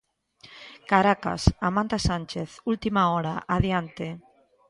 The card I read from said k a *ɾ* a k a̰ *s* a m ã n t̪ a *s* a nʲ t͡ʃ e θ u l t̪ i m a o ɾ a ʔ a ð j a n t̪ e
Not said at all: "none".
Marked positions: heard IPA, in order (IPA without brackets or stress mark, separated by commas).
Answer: ɾ, s, s